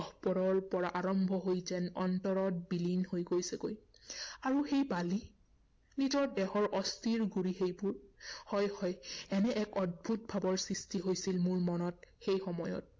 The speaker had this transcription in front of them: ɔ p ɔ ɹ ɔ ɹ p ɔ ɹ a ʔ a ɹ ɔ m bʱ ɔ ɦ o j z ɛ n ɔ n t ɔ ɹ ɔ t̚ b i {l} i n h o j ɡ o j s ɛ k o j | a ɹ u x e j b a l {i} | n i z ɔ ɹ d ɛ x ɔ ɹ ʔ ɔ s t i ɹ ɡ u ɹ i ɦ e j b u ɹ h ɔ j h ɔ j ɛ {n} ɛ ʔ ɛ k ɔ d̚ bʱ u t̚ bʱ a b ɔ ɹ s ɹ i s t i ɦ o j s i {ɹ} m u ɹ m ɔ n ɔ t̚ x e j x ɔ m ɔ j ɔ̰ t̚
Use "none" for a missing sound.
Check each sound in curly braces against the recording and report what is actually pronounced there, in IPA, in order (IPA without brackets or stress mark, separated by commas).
l, i, n, l